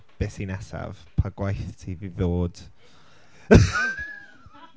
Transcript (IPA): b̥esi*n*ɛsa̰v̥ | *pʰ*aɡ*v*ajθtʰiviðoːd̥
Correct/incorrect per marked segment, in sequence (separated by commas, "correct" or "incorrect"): correct, correct, incorrect